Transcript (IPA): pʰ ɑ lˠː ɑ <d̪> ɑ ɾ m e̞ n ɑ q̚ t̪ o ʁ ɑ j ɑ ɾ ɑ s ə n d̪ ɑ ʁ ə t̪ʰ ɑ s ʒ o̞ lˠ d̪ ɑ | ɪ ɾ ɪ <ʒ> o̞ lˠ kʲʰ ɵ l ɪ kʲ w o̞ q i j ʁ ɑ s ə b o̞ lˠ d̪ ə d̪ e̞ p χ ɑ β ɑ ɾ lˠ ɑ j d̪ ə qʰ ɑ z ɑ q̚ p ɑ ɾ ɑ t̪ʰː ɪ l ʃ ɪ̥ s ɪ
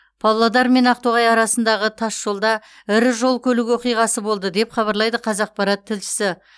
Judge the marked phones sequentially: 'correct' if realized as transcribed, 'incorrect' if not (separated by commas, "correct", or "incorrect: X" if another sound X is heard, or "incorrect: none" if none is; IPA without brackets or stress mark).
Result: correct, correct